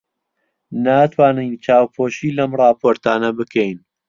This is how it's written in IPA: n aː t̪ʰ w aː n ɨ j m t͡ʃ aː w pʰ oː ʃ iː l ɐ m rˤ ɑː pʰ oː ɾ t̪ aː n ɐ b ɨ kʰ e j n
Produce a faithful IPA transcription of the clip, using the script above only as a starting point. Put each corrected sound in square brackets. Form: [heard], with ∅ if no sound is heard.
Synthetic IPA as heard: n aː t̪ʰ w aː n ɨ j [n] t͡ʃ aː w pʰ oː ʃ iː l ɐ m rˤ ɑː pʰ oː ɾ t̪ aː n ɐ b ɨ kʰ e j n